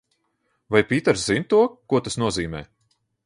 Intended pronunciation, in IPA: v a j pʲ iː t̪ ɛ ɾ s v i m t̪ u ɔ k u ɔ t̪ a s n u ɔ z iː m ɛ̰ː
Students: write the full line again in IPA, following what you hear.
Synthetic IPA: v a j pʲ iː t̪ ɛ ɾ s z i n t̪ u ɔ k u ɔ t̪ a s n u ɔ z iː m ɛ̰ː